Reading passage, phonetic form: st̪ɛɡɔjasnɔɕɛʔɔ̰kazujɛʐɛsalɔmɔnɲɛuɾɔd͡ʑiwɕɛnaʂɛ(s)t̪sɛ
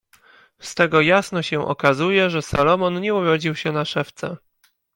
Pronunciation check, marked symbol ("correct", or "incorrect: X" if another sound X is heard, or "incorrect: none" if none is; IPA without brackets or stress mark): incorrect: f